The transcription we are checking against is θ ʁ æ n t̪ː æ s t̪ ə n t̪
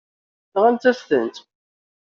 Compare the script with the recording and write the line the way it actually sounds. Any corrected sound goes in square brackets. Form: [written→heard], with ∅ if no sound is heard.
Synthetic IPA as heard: θ ʁ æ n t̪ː æ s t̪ ə n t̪

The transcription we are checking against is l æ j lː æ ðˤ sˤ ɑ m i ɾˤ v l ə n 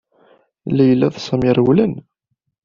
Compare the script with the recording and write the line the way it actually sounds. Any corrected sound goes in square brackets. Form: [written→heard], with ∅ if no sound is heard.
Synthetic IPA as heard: l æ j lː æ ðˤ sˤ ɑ m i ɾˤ [v→w] l ə n

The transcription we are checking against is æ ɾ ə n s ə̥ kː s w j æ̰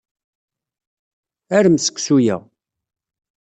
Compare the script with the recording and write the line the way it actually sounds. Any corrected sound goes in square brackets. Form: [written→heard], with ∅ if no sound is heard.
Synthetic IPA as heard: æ ɾ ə [n→m] s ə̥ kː s [w→u] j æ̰

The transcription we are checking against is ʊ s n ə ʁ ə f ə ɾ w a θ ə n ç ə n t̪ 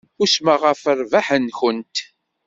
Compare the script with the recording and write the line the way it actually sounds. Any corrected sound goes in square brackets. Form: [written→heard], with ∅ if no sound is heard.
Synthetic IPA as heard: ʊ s [n→m] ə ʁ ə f ə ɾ [w→v] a [θ→ħ] ə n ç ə n t̪

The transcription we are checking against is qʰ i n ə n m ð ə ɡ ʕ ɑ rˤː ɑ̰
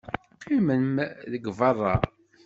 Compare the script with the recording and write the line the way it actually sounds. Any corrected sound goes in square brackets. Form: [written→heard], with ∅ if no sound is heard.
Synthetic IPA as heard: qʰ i [n→m] ə n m ð ə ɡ [ʕ→v] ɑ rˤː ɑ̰

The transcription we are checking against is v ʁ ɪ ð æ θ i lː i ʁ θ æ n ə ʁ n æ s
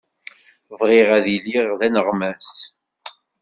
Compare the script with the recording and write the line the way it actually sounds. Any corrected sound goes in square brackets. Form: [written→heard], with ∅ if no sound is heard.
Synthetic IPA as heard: v ʁ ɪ [ð→ʁ] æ [θ→ð] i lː i ʁ [θ→ð] æ n ə ʁ [n→m] æ s

